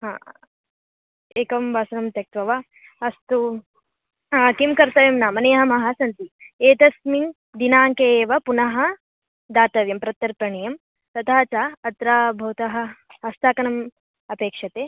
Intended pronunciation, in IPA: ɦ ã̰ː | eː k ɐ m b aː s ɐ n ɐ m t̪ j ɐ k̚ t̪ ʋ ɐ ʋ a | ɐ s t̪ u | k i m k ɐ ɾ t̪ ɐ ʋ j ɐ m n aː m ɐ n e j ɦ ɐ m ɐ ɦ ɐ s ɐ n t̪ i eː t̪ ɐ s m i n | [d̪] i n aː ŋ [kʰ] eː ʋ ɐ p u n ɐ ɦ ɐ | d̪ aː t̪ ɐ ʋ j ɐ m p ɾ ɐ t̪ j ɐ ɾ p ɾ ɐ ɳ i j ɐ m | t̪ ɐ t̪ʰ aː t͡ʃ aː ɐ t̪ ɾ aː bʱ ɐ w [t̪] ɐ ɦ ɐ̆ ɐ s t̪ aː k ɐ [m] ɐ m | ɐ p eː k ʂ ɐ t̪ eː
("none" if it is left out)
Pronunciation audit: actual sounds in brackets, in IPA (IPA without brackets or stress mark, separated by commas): d̪, k, t̪, n